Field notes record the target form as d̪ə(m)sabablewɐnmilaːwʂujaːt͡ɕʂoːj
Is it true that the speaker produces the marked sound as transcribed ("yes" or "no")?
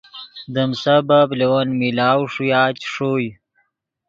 yes